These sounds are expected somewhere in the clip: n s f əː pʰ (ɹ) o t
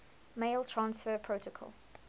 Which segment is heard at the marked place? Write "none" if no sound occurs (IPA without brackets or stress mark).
ɹ